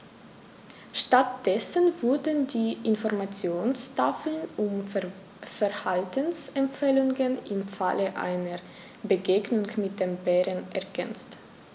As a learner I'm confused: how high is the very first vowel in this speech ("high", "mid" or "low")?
low